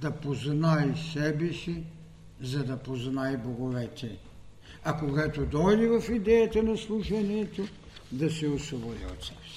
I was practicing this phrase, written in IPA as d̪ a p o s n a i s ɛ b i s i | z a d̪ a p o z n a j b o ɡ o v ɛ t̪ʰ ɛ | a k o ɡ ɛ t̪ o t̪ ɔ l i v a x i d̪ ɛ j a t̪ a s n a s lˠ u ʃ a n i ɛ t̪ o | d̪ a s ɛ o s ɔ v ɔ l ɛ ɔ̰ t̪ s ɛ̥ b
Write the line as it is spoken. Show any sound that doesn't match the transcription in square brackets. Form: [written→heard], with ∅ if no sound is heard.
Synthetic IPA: d̪ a p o [s→z] n a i s ɛ b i s i | z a d̪ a p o z n a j b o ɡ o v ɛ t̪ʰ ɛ | a k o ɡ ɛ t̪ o [t̪→d̪] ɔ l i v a [x→f] i d̪ ɛ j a t̪ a [s→∅] n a s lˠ u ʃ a n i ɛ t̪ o | d̪ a s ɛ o s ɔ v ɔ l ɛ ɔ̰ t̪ s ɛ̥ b